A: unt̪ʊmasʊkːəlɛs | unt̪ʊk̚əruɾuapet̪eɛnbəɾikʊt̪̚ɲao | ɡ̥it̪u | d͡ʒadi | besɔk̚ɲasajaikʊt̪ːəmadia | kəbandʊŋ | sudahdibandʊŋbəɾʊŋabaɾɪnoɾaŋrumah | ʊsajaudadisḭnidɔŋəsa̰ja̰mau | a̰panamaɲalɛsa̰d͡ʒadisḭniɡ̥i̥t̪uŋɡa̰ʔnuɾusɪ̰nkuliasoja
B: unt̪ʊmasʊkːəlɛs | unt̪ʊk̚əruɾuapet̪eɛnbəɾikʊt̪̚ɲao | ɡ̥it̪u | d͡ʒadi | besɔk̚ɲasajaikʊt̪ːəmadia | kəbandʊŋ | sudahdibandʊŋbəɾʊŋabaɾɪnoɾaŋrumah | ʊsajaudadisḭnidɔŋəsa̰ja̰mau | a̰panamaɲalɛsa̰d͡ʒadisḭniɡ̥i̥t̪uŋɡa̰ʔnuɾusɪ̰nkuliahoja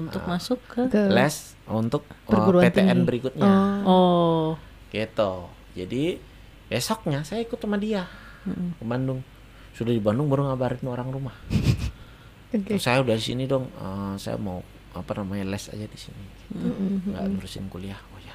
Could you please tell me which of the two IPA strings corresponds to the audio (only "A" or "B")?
B